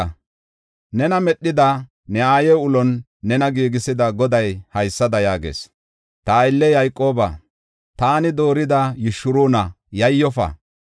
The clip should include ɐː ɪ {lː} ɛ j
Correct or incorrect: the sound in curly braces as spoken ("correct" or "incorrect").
correct